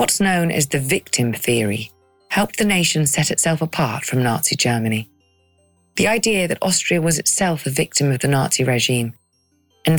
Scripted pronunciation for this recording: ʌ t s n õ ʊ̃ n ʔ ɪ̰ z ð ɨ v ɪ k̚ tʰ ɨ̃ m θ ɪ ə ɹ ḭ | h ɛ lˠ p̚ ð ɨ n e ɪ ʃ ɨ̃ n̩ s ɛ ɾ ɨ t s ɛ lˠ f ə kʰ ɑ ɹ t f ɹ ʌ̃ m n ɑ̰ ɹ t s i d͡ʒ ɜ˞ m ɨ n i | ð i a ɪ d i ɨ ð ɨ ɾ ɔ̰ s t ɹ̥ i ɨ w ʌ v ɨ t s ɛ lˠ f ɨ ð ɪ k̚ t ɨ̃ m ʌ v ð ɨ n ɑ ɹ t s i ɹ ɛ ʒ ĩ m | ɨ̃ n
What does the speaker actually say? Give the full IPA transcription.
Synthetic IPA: ʌ t s n õ ʊ̃ n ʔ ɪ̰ z ð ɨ v ɪ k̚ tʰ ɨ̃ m θ ɪ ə ɹ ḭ | h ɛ lˠ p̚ ð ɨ n e ɪ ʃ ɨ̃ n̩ s ɛ ɾ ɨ t s ɛ lˠ f ə pʰ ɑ ɹ t f ɹ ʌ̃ m n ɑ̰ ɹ t s i d͡ʒ ɜ˞ m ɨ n i | ð i a ɪ d i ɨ ð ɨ ɾ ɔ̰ s t ɹ̥ i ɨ w ʌ z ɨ t s ɛ lˠ f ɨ v ɪ k̚ t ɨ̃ m ʌ v ð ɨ n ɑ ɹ t s i ɹ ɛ ʒ ĩ m | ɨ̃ n